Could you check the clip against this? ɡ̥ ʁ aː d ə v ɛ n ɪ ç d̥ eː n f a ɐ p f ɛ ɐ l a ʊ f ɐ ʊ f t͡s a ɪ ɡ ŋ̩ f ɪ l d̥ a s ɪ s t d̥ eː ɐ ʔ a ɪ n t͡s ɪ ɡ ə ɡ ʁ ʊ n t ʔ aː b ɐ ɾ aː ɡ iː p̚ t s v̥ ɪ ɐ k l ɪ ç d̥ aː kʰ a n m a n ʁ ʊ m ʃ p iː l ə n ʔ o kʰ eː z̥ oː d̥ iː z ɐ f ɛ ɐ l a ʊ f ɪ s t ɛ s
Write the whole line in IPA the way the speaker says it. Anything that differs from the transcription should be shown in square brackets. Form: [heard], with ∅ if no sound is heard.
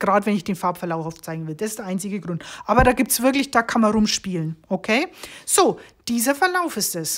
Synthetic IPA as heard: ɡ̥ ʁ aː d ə v ɛ n ɪ ç d̥ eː n f a ɐ p f ɛ ɐ l a ʊ f [a] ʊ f t͡s a ɪ ɡ ŋ̩ [v] ɪ l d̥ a s ɪ s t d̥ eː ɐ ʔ a ɪ n t͡s ɪ ɡ ə ɡ ʁ ʊ n t ʔ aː b ɐ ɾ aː ɡ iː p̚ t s v̥ ɪ ɐ k l ɪ ç d̥ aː kʰ a n m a n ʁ ʊ m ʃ p iː l ə n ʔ o kʰ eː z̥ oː d̥ iː z ɐ f ɛ ɐ l a ʊ f ɪ s t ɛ s